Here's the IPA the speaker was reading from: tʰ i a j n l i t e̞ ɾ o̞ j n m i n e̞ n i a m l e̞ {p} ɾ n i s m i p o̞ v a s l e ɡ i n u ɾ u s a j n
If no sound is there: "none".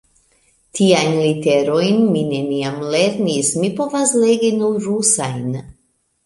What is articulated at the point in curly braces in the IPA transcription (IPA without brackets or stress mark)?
none